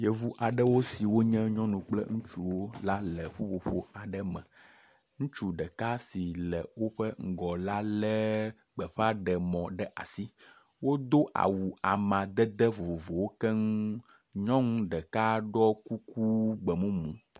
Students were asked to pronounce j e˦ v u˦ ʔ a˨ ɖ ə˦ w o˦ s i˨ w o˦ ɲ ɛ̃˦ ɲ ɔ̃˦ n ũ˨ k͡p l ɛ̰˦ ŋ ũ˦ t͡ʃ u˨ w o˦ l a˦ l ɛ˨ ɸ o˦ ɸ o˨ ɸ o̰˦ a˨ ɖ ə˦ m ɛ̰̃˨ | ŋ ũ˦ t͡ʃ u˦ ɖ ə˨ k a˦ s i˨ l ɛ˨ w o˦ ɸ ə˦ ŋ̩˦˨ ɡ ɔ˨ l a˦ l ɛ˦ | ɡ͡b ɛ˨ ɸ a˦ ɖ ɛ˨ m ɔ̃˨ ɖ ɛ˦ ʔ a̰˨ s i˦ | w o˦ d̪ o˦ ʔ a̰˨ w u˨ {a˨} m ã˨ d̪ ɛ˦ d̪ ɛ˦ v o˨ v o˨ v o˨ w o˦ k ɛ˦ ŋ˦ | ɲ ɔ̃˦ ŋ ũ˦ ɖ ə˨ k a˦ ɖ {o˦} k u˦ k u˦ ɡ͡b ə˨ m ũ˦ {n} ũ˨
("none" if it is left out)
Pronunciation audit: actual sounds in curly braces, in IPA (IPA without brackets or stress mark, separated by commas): a˨, ɔ˦, m